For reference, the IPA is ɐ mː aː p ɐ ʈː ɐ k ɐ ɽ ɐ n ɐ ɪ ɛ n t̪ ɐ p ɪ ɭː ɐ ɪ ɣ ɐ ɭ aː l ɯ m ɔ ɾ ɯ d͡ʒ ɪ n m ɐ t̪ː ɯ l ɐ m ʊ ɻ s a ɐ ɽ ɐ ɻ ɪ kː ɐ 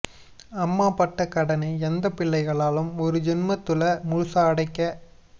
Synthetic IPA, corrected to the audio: ɐ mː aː p ɐ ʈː ɐ k ɐ ɽ ɐ n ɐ ɪ ɛ n d̪ ɐ p ɪ ɭː ɐ ɪ ɣ ɐ ɭ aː l ɯ m ɔ ɾ ɯ d͡ʒ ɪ n m ɐ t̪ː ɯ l ɐ m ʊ ɻ s a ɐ ɽ ɐ ɪ kː ɐ